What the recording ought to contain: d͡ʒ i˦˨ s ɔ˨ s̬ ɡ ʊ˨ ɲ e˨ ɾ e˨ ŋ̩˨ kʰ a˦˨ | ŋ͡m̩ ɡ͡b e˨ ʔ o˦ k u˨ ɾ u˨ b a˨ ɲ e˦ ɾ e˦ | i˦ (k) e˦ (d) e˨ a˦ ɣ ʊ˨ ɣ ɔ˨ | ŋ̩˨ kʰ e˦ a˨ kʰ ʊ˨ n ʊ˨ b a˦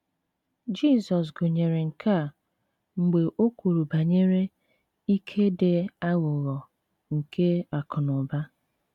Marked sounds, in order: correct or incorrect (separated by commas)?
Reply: incorrect, correct